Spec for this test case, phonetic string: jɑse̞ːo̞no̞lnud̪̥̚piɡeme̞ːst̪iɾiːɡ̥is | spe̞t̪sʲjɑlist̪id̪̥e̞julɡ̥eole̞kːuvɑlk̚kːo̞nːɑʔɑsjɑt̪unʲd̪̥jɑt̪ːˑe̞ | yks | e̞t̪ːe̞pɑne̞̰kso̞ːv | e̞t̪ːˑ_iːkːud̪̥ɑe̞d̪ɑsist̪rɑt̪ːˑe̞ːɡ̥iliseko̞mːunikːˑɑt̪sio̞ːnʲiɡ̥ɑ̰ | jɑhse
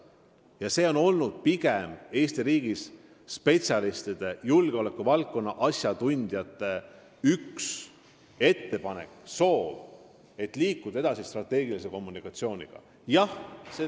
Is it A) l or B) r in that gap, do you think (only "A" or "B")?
A